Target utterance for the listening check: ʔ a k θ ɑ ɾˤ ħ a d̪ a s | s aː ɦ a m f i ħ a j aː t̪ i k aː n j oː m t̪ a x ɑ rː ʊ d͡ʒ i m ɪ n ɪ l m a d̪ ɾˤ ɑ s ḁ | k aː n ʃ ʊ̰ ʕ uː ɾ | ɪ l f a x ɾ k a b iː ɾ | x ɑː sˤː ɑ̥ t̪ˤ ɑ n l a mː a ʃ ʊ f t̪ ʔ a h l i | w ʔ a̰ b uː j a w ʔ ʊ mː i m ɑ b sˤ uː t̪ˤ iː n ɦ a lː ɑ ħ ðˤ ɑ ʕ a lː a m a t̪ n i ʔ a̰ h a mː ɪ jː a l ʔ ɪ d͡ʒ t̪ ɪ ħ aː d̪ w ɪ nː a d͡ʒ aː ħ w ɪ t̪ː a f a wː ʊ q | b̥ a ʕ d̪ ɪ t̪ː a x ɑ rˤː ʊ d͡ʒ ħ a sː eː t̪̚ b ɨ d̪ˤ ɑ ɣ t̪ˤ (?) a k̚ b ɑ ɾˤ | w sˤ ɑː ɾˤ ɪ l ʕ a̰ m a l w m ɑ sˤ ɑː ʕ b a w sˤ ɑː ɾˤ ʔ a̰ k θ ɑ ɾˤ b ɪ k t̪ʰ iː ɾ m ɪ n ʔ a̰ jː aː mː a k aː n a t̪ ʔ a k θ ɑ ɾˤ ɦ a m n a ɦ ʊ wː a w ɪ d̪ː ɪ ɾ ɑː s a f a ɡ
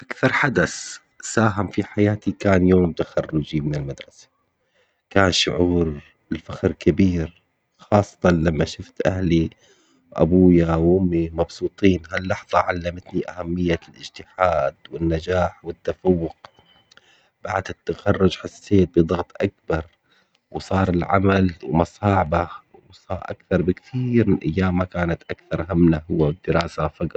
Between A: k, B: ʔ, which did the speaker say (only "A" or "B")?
B